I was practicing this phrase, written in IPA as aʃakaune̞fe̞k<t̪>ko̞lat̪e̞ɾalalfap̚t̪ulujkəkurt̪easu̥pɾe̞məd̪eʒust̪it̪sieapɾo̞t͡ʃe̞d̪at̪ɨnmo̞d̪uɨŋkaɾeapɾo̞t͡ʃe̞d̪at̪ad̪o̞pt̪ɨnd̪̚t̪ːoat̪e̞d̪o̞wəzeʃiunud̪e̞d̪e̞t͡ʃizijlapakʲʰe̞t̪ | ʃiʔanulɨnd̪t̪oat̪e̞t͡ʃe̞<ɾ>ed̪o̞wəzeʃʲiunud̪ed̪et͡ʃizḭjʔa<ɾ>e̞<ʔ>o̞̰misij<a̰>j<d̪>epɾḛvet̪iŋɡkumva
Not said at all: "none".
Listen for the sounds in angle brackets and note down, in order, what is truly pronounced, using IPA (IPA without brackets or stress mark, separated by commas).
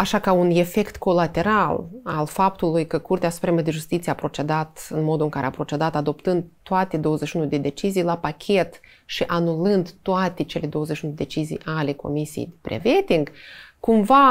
t̪, l, l, k, ḛ, d̪